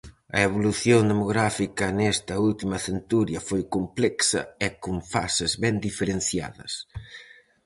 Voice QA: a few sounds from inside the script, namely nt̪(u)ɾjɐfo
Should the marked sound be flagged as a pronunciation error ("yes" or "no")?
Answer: no